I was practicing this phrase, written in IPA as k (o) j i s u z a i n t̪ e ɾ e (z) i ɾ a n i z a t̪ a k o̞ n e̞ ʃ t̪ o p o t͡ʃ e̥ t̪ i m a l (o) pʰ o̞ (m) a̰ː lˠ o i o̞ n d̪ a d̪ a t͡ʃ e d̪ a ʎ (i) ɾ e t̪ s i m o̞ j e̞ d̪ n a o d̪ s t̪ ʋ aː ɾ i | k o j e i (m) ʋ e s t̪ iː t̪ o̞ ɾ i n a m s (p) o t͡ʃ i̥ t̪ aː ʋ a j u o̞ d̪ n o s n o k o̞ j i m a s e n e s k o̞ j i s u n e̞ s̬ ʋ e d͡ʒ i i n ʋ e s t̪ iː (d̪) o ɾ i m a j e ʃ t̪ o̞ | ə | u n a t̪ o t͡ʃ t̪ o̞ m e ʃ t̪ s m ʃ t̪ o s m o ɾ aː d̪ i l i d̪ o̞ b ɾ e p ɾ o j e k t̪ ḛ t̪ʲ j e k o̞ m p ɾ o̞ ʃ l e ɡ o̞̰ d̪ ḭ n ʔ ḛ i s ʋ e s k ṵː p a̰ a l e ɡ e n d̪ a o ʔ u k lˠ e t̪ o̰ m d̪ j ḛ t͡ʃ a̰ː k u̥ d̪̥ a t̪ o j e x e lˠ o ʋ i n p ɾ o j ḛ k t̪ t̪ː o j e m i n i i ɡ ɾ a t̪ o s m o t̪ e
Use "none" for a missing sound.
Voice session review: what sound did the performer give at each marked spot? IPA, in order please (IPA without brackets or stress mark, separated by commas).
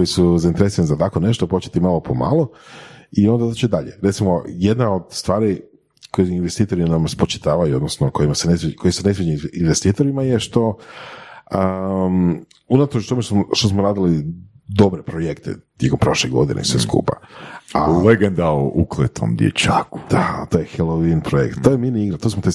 o, s, o, m, e, n, p, t̪